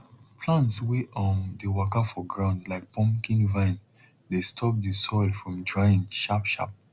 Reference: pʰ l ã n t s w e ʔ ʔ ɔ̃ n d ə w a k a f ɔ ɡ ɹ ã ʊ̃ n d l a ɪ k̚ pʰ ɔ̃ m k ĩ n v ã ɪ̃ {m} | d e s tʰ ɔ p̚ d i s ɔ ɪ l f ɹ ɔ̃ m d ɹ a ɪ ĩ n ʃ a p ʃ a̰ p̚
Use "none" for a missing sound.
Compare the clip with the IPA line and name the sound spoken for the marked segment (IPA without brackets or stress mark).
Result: n